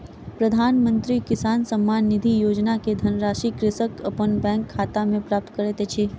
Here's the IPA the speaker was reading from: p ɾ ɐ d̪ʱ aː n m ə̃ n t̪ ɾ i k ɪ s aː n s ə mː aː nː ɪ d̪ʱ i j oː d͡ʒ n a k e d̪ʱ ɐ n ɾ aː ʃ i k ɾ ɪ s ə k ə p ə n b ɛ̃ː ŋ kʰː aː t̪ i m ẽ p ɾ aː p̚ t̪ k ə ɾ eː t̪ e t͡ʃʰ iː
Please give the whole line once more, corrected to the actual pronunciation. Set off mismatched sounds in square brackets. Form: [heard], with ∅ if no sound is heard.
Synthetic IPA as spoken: p ɾ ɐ d̪ʱ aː n m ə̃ n t̪ ɾ i k ɪ s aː n s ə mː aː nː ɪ d̪ʱ i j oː d͡ʒ n a k e d̪ʱ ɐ n ɾ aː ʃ i k ɾ ɪ s ə k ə p ə n b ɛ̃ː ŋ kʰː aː t̪ [a] m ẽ p ɾ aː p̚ t̪ k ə ɾ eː t̪ e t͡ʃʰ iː